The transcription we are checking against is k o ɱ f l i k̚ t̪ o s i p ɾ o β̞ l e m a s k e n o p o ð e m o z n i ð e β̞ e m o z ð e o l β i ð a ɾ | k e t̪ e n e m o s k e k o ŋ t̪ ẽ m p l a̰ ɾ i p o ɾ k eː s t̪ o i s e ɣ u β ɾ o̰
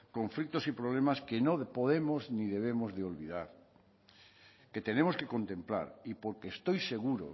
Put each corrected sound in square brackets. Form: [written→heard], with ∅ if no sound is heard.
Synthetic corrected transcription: k o ɱ f l i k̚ t̪ o s i p ɾ o β̞ l e m a s k e n o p o ð e m o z n i ð e β̞ e m o z ð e o l β i ð a ɾ | k e t̪ e n e m o s k e k o [ŋ→n] t̪ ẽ m p l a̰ ɾ i p o ɾ k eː s t̪ o [i→j] s e ɣ u [β→∅] ɾ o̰